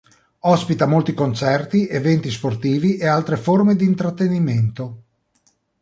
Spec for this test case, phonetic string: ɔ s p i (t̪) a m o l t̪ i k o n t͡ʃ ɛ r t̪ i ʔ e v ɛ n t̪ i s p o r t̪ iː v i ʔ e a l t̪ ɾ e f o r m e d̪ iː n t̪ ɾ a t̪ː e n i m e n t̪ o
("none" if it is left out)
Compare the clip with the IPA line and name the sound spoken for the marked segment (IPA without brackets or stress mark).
t̪